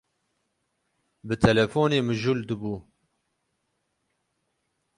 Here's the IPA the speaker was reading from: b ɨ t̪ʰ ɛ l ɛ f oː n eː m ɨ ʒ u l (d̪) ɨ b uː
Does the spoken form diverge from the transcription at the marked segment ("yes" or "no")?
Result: no